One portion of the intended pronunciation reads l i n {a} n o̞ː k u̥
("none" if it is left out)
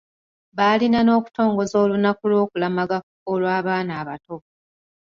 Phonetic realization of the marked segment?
a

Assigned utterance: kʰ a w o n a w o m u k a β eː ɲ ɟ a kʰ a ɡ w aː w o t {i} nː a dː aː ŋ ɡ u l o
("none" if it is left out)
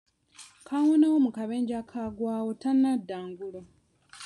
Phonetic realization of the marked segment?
a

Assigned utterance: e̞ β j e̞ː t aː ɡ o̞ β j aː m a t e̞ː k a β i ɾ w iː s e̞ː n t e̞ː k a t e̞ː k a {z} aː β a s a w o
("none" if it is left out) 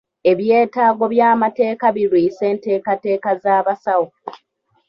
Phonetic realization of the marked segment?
z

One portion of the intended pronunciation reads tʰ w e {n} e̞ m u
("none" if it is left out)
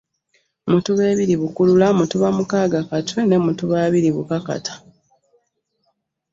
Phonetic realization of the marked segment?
n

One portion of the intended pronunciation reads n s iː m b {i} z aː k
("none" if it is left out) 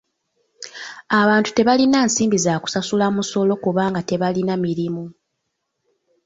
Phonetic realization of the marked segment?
i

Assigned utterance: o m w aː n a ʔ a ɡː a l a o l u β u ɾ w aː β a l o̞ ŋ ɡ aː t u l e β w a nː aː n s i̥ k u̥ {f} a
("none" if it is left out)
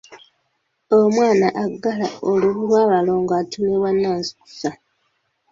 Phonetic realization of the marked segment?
s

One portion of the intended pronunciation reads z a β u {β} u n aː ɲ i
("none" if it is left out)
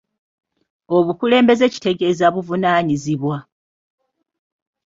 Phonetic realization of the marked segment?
v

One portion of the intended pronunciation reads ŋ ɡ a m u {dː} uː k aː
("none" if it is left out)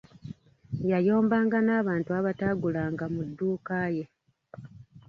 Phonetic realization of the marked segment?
dː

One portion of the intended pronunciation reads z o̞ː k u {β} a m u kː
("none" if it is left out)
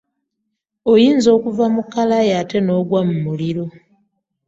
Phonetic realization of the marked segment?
v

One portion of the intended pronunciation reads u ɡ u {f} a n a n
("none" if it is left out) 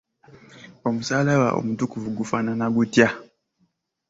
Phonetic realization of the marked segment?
f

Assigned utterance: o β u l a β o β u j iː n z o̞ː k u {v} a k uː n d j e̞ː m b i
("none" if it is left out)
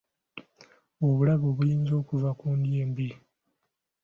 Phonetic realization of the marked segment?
v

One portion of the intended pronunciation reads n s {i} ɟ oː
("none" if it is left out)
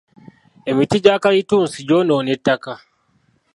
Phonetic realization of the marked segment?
i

